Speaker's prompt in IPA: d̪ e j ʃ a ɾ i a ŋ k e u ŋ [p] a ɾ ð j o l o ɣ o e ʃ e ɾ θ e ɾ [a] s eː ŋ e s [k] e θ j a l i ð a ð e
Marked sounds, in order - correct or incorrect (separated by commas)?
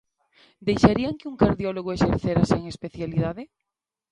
incorrect, correct, incorrect